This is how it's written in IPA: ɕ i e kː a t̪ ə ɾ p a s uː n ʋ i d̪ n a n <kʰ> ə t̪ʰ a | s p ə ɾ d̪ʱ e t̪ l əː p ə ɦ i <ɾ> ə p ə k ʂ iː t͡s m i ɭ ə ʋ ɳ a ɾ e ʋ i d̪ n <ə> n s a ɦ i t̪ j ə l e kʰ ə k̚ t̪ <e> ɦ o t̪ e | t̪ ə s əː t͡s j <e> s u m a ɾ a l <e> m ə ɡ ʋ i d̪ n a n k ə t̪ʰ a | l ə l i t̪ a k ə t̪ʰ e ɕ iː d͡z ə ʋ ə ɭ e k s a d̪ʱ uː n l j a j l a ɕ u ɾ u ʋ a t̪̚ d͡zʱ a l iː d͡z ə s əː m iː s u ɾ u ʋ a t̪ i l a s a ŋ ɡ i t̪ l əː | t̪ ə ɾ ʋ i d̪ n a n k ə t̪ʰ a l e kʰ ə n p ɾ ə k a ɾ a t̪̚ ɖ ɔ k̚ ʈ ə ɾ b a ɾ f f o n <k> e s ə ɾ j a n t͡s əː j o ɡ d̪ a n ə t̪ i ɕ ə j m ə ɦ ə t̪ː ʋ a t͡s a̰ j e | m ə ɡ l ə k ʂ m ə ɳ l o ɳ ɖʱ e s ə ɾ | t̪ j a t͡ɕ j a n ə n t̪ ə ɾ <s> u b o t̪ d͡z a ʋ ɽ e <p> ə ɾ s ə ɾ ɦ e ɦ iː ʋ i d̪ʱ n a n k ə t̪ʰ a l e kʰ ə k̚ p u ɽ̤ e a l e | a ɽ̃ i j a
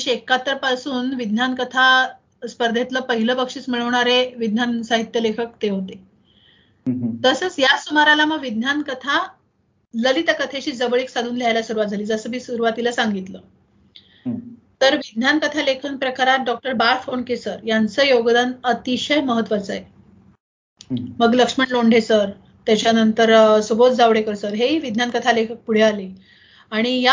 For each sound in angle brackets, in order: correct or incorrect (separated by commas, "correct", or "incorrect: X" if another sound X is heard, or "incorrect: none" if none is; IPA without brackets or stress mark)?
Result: incorrect: k, incorrect: l, incorrect: a, correct, incorrect: a, incorrect: a, correct, correct, incorrect: k